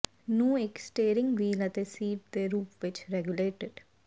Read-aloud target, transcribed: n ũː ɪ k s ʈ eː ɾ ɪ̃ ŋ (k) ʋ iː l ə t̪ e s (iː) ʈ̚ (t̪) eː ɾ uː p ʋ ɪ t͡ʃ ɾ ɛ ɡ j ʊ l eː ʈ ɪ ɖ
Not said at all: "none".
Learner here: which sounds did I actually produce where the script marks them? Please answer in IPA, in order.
ɡ, iː, d̪

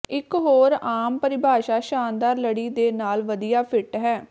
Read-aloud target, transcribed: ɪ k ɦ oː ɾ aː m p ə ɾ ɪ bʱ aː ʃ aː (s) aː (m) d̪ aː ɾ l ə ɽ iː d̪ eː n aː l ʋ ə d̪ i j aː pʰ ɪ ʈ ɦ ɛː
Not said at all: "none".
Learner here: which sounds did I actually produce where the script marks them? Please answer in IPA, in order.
ʃ, n

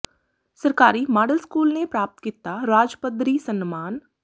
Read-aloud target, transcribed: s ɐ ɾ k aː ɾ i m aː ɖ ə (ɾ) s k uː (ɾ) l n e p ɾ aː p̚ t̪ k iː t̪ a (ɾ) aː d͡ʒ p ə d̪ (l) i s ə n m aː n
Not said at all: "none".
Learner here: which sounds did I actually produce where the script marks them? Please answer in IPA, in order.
l, none, ɾ, ɾ

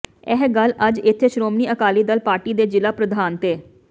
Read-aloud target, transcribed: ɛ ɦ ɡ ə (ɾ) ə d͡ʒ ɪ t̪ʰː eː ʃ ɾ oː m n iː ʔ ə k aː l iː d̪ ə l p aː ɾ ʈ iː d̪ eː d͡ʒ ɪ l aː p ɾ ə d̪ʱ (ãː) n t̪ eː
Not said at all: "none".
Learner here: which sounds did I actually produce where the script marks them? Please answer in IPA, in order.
l, aː

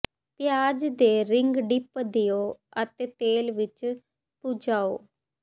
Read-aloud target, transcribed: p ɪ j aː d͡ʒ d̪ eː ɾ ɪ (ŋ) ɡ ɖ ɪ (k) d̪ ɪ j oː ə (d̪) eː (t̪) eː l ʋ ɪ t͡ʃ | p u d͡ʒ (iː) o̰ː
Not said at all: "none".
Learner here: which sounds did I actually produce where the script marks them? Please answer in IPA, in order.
ŋ, p, t̪, t̪, aː

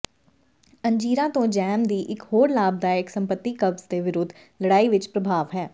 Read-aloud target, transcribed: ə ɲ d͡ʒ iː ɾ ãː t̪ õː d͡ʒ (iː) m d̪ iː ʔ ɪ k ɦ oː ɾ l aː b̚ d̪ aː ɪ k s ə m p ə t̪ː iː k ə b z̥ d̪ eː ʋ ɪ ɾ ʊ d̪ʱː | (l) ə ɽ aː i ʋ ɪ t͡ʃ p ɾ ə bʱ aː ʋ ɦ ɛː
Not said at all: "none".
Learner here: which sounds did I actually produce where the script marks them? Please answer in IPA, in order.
ɛː, l

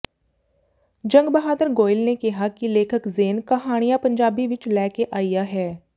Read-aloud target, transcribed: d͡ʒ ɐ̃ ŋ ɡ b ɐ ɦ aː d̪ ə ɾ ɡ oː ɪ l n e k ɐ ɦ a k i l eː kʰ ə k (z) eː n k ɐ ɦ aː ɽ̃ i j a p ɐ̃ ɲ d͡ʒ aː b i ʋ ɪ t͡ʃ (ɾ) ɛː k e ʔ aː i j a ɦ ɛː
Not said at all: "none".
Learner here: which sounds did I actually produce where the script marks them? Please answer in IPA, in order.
z, l

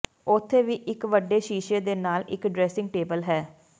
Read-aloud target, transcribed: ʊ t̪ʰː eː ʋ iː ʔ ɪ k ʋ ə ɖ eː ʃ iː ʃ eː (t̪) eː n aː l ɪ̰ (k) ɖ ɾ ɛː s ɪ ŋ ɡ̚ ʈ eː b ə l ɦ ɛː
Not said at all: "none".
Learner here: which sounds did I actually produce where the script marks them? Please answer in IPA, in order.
d̪, k

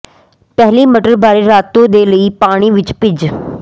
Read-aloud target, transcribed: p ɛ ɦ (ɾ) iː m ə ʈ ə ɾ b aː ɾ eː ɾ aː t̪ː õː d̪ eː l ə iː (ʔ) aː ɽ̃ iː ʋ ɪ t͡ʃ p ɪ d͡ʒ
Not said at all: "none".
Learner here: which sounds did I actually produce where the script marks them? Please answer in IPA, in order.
l, p

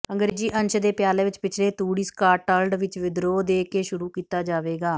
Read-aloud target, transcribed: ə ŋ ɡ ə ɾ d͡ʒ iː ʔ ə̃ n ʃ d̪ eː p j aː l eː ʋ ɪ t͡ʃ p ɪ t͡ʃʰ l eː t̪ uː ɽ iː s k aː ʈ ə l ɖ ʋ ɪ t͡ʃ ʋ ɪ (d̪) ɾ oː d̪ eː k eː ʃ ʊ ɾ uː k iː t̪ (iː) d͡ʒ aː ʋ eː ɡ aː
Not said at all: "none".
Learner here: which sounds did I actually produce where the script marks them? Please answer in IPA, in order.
d̪, aː

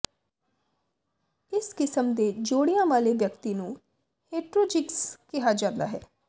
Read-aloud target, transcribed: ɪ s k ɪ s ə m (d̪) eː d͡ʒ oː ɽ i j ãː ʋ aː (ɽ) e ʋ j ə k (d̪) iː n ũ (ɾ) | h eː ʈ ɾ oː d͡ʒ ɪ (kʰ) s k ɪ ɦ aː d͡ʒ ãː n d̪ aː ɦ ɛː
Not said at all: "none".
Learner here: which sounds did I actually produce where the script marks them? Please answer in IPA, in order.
d̪, l, t̪, none, k

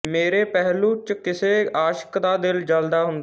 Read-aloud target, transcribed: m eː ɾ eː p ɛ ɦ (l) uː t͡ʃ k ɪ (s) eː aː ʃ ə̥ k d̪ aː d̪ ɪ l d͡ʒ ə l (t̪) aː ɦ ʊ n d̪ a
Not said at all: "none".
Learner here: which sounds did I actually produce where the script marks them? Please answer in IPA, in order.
l, s, d̪

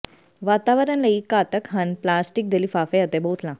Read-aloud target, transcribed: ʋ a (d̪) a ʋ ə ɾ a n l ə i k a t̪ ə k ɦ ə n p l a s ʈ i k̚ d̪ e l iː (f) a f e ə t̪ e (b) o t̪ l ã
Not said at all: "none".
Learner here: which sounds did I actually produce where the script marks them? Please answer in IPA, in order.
t̪, f, b

